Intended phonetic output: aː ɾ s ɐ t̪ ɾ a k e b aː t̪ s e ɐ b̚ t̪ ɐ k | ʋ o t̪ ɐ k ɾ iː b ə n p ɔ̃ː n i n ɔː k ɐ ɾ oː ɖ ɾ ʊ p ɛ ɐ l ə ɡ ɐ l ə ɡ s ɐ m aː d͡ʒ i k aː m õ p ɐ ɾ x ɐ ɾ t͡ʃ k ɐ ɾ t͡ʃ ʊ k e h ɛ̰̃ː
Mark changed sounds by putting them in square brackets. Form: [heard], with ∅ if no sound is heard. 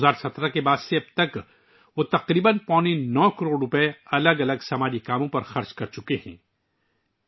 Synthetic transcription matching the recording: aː ɾ s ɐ t̪ ɾ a k e b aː [d̪] s e ɐ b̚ t̪ ɐ k | ʋ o t̪ ɐ [q] ɾ iː b ə n p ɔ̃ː n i n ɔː k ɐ ɾ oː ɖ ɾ ʊ p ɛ ɐ l ə ɡ ɐ l ə ɡ s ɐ m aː d͡ʒ i k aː m õ p ɐ ɾ x ɐ ɾ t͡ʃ k ɐ ɾ t͡ʃ ʊ k e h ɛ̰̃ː